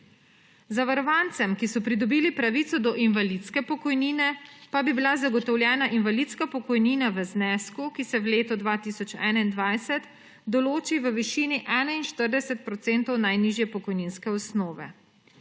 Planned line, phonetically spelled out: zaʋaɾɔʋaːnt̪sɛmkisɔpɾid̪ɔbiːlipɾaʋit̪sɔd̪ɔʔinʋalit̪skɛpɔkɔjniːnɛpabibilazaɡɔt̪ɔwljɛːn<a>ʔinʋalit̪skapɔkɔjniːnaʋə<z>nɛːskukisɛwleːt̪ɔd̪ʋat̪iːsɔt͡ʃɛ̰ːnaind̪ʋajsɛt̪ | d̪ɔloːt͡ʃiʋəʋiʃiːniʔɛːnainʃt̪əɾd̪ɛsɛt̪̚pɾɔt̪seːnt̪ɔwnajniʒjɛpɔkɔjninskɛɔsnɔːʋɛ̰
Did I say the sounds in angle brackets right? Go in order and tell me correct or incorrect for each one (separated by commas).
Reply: correct, correct